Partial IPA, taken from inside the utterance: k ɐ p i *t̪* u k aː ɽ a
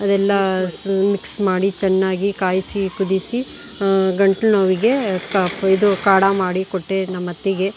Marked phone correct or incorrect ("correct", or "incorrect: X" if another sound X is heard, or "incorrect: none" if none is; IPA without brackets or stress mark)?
incorrect: d̪